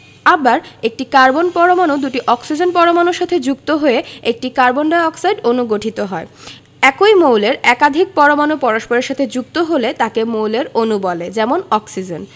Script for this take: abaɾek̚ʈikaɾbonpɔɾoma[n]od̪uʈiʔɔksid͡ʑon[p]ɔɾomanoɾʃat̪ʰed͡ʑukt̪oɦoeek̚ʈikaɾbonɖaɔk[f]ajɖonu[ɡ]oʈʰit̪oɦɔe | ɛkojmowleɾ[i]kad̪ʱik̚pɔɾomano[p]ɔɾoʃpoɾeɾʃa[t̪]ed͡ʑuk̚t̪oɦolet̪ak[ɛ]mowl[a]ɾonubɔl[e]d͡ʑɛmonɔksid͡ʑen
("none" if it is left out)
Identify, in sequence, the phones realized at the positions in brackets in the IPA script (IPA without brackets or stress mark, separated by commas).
n, p, s, ɡ, ɛ, p, t̪ʰ, e, e, e